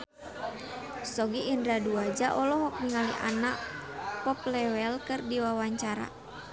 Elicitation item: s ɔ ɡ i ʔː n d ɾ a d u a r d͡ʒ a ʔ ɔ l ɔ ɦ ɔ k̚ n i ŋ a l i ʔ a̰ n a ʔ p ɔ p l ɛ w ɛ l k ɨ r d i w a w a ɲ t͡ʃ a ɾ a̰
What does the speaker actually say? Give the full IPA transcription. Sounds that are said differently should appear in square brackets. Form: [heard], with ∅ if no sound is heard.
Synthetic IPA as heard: s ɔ ɡ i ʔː n d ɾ a d u a [∅] d͡ʒ a ʔ ɔ l ɔ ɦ ɔ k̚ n i ŋ a l i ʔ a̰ n a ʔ p ɔ p l ɛ w ɛ l k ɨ r d i w a w a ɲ t͡ʃ a ɾ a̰